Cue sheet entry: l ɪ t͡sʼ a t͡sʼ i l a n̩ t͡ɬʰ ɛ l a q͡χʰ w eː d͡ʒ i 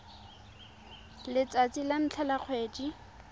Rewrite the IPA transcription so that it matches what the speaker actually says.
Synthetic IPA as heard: l ɪ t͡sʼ a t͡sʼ i l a n̩ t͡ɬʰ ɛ l a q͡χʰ w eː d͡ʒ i